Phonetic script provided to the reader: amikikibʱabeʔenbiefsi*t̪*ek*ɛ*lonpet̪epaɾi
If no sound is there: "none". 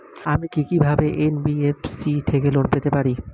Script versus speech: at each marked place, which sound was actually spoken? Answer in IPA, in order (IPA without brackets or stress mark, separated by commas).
t̪ʰ, e